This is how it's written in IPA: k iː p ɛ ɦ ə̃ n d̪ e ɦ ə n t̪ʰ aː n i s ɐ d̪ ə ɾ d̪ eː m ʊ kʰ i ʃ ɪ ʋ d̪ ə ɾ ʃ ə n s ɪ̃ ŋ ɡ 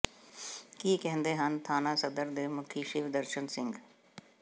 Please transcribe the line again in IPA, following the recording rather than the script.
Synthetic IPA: k iː k ɛ ɦ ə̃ n d̪ e ɦ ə n t̪ʰ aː n a s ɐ d̪ ə ɾ d̪ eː m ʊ kʰ i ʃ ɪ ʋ d̪ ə ɾ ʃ ə n s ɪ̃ ŋ ɡ